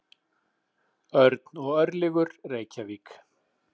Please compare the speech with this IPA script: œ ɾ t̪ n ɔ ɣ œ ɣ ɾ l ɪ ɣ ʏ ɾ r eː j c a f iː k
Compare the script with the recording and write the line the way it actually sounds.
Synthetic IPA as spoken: œ ɾ t̪ n ɔ ɣ œ ɾ l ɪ ɣ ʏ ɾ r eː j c a v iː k